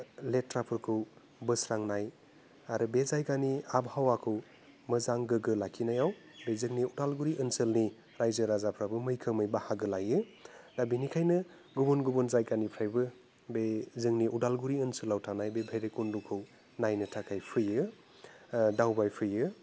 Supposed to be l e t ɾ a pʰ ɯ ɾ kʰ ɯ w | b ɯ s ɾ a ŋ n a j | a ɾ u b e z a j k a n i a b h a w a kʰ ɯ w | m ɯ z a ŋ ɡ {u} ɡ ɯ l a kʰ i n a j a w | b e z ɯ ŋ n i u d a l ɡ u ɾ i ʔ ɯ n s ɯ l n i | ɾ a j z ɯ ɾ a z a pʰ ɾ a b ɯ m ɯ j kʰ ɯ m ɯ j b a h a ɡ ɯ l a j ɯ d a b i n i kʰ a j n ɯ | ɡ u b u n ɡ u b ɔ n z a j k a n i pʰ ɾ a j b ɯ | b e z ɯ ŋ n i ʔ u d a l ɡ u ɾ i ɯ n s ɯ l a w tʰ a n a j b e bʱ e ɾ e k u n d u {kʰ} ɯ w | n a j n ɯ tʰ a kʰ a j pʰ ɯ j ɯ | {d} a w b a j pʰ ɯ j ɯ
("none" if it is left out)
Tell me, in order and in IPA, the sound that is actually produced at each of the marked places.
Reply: ɯ, kʰ, d

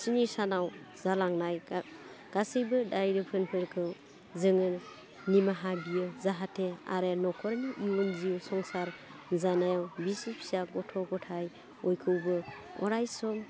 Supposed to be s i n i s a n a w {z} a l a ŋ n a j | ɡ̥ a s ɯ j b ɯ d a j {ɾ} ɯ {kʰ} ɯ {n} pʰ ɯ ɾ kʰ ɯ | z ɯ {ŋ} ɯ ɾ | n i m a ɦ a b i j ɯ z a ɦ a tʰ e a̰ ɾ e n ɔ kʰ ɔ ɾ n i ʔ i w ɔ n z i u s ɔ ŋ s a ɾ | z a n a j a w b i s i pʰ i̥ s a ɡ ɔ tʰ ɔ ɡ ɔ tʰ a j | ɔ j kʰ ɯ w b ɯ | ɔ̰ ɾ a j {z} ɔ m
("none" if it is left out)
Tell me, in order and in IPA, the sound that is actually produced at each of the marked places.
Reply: z, ɾ, pʰ, n, ŋ, s

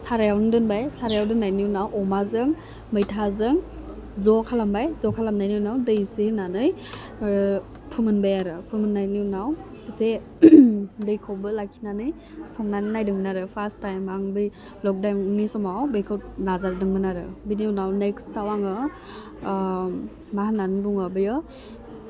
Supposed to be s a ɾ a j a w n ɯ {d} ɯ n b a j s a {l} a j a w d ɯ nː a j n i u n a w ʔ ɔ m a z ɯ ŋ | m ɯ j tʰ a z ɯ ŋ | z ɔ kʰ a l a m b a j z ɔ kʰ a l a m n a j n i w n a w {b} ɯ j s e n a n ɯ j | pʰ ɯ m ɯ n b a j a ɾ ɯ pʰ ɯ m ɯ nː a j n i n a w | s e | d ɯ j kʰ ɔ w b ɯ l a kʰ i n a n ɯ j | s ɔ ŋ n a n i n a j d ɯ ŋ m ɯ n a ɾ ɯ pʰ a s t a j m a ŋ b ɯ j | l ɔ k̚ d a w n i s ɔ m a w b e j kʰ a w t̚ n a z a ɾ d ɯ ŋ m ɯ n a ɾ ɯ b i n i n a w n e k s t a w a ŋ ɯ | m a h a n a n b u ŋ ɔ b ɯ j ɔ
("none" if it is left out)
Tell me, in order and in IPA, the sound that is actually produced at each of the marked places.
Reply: d, ɾ, d

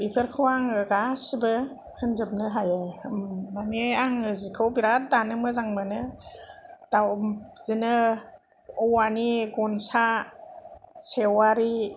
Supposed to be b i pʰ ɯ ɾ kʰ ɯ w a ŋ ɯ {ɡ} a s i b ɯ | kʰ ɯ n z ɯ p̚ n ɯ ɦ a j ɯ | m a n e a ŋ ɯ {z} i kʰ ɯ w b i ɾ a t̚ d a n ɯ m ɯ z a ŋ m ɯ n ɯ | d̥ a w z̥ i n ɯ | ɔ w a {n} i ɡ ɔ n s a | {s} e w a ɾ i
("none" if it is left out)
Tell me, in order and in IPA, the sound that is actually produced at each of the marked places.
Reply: ɡ, z, n, s

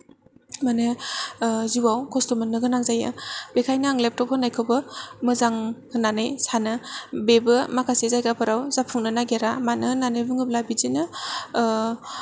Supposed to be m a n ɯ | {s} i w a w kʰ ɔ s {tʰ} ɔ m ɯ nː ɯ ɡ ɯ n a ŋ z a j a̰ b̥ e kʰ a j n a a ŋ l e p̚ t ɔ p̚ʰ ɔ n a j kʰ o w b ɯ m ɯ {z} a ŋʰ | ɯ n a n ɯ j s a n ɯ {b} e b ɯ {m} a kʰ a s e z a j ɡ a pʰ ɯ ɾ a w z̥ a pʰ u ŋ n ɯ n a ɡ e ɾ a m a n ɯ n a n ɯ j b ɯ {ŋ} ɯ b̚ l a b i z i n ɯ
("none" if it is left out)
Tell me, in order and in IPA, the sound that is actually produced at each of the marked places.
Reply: z, t, z, b, m, ŋ

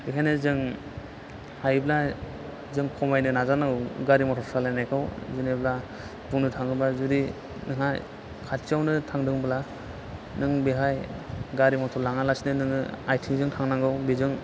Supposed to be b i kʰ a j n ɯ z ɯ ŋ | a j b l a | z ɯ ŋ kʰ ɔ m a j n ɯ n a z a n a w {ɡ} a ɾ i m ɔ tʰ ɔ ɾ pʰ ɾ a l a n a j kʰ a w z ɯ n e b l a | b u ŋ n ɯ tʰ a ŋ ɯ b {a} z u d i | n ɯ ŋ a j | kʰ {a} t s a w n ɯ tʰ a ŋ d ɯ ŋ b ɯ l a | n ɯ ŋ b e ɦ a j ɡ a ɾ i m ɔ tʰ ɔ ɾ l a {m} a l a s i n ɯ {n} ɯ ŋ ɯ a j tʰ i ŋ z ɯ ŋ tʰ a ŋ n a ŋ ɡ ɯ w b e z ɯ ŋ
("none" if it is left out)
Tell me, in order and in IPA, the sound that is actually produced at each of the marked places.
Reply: ɡ, a, a, ŋ, n

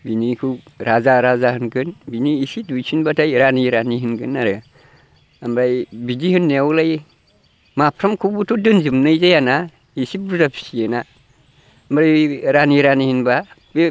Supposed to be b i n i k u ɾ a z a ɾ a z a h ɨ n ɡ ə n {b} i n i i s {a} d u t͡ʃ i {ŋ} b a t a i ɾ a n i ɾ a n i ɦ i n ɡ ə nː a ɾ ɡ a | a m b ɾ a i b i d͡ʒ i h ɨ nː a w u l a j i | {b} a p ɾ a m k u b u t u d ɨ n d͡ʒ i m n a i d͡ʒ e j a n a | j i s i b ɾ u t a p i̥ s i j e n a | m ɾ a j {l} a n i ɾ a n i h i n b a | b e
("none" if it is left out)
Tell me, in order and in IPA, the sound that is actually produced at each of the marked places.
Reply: b, i, n, m, ɾ

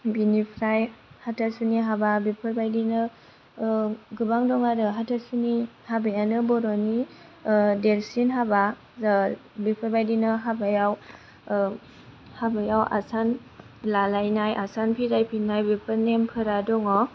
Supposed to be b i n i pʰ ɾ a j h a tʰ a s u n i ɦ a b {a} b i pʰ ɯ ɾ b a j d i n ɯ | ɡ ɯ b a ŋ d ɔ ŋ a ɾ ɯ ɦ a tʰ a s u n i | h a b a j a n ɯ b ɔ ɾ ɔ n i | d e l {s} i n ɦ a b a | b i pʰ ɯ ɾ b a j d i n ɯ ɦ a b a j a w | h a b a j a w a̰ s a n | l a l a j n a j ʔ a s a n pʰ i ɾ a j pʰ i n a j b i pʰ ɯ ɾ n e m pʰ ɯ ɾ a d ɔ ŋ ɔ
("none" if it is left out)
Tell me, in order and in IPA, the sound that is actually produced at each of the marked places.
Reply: a, s

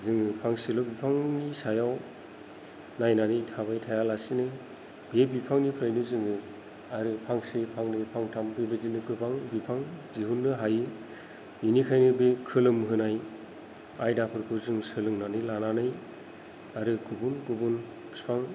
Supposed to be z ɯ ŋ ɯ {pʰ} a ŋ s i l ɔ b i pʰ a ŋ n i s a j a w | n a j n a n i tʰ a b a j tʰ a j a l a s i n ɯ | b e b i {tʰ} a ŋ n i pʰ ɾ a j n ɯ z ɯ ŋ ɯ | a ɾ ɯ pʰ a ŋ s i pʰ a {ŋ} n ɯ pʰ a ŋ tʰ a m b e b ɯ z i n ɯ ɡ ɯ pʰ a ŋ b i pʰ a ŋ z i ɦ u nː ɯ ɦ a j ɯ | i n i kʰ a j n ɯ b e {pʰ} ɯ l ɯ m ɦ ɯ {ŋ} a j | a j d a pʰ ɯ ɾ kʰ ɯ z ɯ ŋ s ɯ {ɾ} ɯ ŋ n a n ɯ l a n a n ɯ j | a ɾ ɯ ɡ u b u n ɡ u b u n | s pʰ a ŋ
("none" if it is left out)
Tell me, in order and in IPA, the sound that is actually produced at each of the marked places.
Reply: pʰ, pʰ, ŋ, kʰ, n, l

